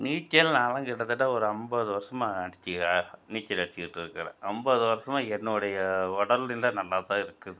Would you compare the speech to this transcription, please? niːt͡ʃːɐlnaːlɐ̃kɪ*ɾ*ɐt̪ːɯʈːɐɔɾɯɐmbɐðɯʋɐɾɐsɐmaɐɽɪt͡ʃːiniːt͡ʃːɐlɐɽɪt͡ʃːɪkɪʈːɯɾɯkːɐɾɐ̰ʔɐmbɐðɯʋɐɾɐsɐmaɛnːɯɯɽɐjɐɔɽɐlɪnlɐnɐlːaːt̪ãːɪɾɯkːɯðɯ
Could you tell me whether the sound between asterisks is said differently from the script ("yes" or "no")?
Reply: yes